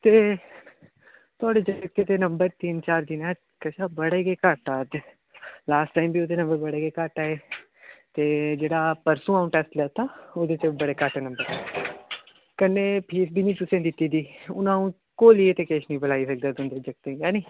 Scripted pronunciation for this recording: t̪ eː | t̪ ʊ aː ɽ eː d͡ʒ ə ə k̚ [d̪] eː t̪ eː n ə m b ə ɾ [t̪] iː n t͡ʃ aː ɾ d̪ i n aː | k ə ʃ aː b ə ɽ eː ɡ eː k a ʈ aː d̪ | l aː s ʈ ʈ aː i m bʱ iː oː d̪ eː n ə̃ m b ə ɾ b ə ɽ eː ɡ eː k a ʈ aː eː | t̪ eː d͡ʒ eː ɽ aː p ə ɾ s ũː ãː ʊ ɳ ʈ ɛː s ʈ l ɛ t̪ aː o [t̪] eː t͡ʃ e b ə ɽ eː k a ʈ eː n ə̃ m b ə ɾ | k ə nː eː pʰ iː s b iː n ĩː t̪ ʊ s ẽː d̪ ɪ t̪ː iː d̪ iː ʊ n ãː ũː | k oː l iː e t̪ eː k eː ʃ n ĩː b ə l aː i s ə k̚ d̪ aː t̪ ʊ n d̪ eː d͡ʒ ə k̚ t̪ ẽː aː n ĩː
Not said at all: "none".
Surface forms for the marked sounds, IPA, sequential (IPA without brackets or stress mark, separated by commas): t̪, t̪, d̪